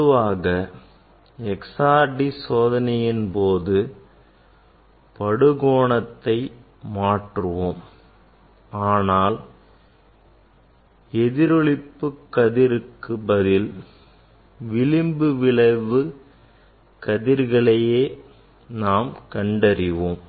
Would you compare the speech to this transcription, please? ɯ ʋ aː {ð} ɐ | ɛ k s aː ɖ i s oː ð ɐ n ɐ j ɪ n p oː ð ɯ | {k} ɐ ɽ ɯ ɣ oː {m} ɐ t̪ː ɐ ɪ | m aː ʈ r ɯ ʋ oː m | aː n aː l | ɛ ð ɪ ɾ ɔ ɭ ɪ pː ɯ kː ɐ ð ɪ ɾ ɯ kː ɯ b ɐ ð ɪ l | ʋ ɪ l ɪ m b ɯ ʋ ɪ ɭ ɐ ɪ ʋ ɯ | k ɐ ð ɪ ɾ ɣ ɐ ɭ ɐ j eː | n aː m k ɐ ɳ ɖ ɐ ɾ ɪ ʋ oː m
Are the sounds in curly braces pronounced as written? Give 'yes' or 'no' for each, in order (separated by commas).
no, no, no